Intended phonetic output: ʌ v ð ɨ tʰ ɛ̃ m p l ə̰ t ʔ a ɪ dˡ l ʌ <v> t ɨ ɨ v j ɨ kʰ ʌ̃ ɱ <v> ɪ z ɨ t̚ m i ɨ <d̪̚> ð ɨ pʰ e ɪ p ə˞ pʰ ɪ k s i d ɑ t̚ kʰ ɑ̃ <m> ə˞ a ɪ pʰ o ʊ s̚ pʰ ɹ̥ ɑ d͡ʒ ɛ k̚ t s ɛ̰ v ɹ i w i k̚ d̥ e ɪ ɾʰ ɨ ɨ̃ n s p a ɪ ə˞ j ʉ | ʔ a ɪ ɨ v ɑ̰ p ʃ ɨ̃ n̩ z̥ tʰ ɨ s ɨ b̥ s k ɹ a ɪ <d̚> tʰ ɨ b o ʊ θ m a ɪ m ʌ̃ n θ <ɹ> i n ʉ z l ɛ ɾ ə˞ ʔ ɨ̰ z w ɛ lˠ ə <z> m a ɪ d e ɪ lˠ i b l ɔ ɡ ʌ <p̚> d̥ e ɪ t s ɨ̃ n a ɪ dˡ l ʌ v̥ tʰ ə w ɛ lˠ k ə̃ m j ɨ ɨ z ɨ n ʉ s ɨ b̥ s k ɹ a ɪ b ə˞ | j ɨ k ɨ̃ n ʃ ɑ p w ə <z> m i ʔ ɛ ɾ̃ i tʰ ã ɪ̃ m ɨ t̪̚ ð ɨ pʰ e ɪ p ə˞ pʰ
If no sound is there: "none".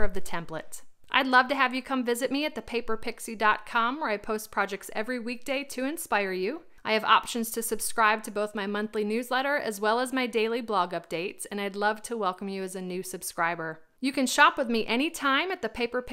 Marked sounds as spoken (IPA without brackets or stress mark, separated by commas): v, v, t̪̚, m, b̚, l, z, p̚, ð